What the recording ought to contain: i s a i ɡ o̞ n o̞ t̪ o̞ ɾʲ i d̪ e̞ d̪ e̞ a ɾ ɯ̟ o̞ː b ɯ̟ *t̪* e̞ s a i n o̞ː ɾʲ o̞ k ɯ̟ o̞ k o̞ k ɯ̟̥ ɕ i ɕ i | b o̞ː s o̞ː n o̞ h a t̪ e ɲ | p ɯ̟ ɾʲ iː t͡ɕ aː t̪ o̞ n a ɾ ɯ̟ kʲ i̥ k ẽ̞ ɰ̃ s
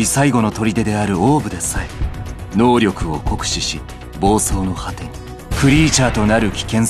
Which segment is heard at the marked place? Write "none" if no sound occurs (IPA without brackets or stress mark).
d̪